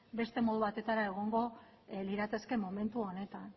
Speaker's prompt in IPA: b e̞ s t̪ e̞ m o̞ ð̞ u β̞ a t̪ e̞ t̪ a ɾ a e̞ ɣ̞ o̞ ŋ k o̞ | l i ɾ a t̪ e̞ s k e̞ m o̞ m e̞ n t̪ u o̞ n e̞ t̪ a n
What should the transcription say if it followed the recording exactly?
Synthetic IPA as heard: b e̞ s t̪ e̞ m o̞ ð̞ u β̞ a t̪ e̞ t̪ a ɾ a e̞ ɣ̞ o̞ ŋ ɡ o̞ | l i ɾ a t̪ e̞ s k e̞ m o̞ m e̞ n t̪ u o̞ n e̞ t̪ a n